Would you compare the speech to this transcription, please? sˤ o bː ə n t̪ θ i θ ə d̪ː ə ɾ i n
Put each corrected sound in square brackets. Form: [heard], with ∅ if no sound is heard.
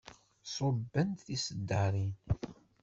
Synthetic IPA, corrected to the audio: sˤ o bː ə n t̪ θ i [s] ə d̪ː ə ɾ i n